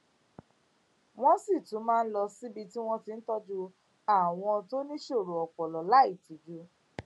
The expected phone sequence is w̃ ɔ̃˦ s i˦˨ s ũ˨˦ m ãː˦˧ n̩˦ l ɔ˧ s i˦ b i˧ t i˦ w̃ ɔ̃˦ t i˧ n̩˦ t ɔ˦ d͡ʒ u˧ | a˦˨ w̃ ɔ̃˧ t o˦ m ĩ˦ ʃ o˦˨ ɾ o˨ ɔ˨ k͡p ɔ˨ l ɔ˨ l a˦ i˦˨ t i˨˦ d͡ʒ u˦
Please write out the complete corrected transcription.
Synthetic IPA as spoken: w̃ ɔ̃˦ s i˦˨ t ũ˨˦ m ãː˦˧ n̩˦ l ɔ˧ s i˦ b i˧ t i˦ w̃ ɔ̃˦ t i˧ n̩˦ t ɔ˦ d͡ʒ u˧ | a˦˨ w̃ ɔ̃˧ t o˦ n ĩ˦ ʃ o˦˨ ɾ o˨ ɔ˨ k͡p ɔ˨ l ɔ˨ l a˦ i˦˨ t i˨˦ d͡ʒ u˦